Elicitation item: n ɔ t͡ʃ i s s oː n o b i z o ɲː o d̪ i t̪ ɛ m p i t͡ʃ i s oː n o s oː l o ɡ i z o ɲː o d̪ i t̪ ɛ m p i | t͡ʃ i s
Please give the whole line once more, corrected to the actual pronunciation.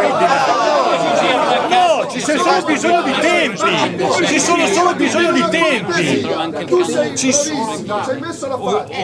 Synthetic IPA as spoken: n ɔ t͡ʃ i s s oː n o b i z o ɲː o d̪ i t̪ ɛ m p i t͡ʃ i s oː n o s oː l o b i z o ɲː o d̪ i t̪ ɛ m p i | t͡ʃ i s